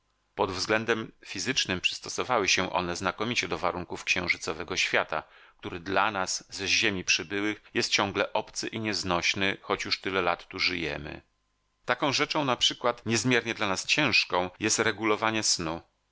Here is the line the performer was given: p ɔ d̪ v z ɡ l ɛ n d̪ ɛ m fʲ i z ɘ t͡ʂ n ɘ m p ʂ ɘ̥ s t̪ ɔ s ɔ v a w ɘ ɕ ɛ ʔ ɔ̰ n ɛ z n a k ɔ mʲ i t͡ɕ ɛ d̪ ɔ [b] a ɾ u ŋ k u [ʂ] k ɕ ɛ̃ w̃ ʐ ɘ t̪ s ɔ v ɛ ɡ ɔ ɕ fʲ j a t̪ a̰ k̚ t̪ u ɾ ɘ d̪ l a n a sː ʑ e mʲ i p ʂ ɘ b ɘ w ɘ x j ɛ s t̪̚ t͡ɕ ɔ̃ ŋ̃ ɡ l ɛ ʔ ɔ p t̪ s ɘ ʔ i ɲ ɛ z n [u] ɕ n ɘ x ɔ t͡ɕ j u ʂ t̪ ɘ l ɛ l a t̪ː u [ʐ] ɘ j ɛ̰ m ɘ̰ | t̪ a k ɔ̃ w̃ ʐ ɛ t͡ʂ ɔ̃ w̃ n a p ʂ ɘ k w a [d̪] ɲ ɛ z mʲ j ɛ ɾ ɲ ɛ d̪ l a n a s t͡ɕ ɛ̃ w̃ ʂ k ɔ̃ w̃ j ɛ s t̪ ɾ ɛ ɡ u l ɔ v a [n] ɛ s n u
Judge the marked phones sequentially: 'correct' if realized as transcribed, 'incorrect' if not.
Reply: incorrect: v, incorrect: f, incorrect: ɔ, correct, incorrect: t̪, incorrect: ɲ

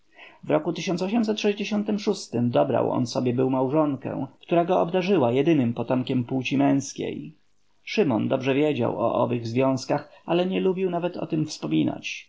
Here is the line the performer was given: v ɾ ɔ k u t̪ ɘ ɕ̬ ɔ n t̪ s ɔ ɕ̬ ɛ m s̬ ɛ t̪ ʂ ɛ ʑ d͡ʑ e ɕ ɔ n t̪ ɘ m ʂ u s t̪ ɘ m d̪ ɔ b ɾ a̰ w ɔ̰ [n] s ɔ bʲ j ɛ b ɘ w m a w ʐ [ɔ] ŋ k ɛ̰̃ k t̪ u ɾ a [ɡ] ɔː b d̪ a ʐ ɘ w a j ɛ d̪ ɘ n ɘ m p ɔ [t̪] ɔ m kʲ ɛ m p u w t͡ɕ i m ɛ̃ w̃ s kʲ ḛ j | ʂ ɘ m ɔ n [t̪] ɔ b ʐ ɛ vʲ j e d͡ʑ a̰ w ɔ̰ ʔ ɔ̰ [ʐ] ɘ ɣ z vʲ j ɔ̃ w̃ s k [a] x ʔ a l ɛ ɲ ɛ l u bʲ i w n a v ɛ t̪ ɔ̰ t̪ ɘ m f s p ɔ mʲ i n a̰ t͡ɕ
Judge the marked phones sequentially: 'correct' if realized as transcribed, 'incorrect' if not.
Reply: correct, correct, correct, correct, incorrect: d̪, incorrect: v, correct

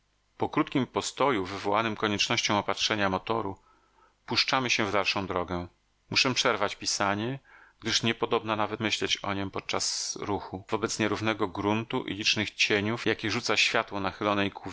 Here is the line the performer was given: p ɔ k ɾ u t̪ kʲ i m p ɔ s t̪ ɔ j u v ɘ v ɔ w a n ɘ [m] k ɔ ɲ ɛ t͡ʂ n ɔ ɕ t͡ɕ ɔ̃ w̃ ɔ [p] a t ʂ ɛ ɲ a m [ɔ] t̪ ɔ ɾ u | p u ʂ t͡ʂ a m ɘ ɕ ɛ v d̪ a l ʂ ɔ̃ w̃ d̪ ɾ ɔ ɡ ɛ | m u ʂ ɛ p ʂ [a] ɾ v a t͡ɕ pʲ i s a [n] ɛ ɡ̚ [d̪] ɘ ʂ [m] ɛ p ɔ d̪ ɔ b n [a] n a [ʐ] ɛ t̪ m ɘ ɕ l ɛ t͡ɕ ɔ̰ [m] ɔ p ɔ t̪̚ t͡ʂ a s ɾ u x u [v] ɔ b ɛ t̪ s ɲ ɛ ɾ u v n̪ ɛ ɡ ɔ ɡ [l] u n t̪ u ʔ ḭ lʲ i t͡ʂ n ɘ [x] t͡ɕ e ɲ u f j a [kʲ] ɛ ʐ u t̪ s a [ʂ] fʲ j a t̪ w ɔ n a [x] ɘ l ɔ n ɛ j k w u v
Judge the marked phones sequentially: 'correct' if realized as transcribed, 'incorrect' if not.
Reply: correct, correct, correct, incorrect: ɛ, incorrect: ɲ, correct, incorrect: ɲ, correct, incorrect: v, incorrect: ɲ, correct, incorrect: ɾ, correct, correct, incorrect: ɕ, correct

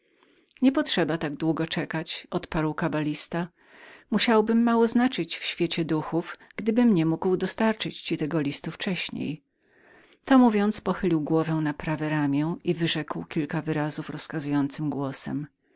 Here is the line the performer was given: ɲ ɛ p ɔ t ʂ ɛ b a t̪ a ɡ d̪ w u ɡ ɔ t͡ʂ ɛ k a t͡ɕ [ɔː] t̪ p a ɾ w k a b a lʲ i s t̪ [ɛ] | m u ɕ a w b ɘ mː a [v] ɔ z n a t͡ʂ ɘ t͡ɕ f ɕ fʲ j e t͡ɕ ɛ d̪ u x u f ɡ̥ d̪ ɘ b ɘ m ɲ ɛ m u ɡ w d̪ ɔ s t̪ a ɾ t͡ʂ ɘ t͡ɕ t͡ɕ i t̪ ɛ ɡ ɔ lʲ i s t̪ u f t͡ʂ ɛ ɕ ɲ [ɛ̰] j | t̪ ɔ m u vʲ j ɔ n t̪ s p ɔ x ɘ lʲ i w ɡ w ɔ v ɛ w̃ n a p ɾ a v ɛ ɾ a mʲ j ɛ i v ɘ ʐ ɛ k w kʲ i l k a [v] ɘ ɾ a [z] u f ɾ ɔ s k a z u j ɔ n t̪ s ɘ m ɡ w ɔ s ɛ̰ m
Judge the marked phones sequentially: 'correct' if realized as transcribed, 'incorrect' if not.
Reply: incorrect: ɔ, incorrect: a, incorrect: w, incorrect: ḛ, correct, correct

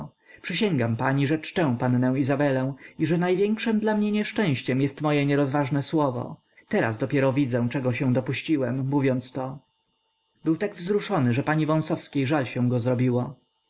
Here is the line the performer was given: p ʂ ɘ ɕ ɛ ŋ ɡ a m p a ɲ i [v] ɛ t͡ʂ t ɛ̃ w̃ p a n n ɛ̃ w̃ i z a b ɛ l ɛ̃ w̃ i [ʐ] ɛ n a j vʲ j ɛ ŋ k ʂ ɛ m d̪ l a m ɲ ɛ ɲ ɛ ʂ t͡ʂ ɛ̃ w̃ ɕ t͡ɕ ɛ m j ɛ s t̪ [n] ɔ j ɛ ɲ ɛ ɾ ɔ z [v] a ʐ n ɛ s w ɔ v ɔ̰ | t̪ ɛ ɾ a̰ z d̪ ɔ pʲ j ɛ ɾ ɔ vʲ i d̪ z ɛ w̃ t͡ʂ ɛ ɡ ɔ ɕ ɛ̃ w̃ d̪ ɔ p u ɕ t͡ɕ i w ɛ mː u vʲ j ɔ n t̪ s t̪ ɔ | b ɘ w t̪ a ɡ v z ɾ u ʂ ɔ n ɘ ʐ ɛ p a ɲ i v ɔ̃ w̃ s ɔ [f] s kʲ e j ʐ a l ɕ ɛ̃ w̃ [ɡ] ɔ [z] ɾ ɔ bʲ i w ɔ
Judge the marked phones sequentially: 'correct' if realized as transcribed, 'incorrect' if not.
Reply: incorrect: ʐ, correct, incorrect: m, correct, correct, correct, correct

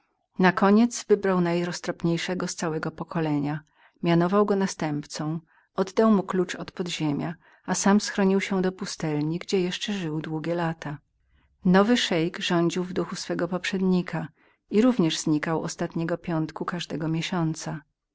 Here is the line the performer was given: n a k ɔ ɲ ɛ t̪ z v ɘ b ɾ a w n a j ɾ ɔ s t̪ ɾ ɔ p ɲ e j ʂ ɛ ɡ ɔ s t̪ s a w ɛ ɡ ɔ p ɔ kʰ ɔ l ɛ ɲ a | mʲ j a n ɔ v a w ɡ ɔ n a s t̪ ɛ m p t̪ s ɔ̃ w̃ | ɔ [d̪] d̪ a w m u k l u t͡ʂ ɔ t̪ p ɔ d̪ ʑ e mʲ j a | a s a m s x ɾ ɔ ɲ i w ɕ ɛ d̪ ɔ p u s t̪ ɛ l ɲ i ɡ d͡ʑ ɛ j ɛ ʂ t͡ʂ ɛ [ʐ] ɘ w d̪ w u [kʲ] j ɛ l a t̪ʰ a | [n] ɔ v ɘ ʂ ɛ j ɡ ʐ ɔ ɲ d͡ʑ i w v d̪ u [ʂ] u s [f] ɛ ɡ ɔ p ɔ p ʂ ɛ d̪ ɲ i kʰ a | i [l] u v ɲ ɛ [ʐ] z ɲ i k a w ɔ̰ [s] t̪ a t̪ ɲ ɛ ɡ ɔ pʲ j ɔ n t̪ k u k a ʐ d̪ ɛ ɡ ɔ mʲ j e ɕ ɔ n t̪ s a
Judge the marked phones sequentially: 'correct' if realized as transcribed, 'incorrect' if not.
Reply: correct, correct, incorrect: ɡʲ, correct, incorrect: x, correct, incorrect: ɾ, correct, correct

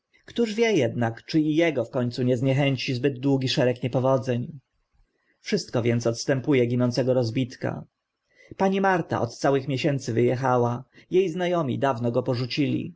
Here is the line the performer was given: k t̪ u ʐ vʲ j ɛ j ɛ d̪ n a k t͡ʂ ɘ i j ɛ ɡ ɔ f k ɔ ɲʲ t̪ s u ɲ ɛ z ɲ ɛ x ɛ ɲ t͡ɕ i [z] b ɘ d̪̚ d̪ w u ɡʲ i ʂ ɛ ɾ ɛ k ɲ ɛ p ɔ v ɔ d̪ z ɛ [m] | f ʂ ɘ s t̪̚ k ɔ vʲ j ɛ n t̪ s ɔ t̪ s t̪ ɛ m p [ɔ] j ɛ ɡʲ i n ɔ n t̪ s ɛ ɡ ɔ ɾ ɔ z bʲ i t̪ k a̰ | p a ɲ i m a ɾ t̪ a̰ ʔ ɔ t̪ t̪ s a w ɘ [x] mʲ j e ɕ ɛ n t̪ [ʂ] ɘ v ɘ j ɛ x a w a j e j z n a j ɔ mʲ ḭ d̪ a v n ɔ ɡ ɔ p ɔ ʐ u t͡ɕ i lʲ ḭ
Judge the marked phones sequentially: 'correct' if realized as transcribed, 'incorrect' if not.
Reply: correct, incorrect: ɲ, incorrect: u, correct, incorrect: s

